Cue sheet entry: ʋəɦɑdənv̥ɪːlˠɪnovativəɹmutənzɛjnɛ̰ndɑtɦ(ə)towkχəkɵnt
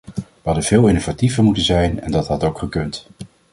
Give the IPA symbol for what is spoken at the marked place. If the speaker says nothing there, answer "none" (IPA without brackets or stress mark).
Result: ɑ